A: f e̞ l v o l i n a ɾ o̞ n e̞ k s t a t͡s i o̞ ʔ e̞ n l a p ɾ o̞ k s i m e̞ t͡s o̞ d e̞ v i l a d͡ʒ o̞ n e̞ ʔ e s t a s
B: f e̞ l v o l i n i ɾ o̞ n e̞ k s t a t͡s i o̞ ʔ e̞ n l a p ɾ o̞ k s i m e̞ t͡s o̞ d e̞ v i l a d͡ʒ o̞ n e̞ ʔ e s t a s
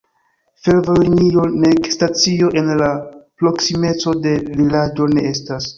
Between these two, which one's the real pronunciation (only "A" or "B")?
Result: B